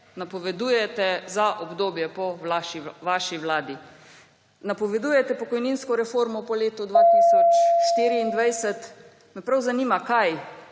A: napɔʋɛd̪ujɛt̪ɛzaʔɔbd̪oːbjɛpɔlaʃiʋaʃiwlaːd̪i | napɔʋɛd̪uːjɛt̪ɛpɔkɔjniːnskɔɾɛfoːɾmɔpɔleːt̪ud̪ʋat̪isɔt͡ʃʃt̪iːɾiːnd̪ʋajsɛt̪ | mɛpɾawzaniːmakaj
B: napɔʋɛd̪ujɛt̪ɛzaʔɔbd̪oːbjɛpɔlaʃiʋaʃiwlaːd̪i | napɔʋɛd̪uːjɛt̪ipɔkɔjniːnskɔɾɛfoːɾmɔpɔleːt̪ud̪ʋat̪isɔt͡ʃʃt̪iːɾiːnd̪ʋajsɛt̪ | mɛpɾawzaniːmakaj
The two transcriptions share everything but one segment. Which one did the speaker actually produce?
A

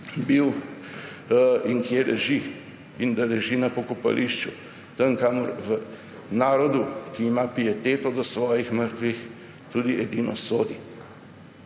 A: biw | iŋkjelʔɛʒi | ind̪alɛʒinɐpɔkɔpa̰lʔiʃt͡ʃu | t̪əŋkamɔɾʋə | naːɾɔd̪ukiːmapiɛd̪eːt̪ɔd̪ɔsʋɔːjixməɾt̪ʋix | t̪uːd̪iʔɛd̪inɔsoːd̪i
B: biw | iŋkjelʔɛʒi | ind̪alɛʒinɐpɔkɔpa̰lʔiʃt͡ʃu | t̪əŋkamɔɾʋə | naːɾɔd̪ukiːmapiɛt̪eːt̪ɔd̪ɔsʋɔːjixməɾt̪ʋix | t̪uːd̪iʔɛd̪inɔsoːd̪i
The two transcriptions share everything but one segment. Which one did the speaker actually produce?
B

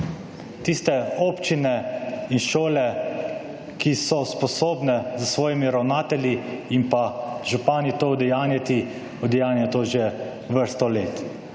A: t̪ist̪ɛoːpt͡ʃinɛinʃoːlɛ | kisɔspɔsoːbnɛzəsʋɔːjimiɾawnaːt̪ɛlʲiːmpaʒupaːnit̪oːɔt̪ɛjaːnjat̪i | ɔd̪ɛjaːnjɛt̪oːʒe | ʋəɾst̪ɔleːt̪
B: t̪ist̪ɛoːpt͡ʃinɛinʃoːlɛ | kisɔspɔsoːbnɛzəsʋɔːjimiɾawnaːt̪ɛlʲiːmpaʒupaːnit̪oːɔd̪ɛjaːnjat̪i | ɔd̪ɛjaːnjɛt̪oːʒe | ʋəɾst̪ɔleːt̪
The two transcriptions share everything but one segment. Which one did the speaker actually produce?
B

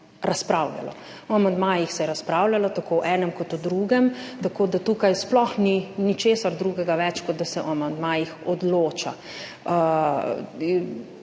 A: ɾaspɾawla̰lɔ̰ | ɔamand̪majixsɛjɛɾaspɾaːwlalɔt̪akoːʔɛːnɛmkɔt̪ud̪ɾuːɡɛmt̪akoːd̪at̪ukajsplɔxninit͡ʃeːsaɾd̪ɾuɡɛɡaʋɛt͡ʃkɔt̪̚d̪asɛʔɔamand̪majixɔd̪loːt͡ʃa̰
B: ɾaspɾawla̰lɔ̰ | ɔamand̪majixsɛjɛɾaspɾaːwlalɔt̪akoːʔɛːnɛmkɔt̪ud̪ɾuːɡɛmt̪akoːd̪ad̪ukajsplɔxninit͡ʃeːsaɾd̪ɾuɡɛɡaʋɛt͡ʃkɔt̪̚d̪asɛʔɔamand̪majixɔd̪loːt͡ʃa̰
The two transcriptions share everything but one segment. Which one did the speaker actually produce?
A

